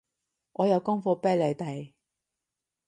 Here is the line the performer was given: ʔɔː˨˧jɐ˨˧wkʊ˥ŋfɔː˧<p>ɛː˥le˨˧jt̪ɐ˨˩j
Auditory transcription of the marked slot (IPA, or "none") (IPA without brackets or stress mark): p